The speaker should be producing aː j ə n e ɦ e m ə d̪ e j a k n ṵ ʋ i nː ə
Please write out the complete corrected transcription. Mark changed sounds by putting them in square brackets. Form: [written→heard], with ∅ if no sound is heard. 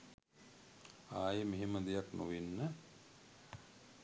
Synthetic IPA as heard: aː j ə [n→m] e ɦ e m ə d̪ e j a k n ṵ ʋ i nː ə